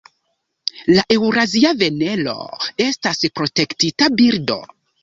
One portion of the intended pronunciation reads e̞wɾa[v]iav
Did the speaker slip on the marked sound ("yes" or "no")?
yes